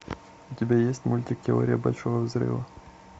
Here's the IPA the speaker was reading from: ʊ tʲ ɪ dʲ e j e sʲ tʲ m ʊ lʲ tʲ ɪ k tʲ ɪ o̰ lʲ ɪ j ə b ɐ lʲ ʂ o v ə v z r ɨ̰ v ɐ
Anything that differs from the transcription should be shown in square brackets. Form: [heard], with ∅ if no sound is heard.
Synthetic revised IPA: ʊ tʲ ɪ [bʲ] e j e sʲ tʲ m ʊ lʲ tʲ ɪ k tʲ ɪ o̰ [ɾʲ] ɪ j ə b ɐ lʲ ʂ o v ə v z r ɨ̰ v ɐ